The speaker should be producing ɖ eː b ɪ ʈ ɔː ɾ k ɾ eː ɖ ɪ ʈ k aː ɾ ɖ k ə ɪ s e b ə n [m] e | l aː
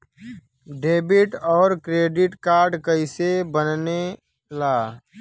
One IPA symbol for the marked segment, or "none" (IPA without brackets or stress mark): n